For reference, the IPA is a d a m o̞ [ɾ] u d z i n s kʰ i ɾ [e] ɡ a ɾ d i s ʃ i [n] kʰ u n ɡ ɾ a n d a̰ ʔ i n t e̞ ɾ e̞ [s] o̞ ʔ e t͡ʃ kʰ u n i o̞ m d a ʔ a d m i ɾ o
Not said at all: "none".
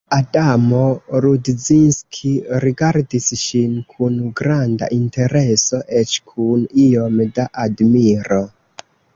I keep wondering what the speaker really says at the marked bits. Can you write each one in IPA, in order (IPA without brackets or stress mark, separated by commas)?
ɾ, i, n, s